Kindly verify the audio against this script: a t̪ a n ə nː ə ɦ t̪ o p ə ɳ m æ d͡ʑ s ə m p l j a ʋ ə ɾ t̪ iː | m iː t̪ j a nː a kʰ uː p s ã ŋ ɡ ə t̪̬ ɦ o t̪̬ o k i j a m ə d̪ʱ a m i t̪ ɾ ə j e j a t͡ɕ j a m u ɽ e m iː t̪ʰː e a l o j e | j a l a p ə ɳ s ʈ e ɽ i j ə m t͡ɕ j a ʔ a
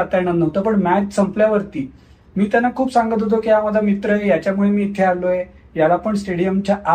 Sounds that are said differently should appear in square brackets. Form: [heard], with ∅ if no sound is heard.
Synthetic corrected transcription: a t̪ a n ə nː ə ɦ t̪ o p ə ɳ m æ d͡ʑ s ə m p l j a ʋ ə ɾ t̪ iː | m iː t̪ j a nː a kʰ uː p s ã ŋ ɡ ə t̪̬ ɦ o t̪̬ o k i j a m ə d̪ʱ a m i t̪ ɾ ə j e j a t͡ɕ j a m u [ɭ] e m iː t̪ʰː e a l o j e | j a l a p ə ɳ s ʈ e ɽ i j ə m t͡ɕ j a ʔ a